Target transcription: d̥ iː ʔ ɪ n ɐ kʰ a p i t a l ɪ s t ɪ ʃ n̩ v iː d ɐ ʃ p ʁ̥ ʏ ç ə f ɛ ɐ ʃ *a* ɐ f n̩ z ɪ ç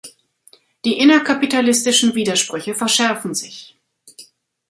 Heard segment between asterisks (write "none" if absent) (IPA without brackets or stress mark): ɛ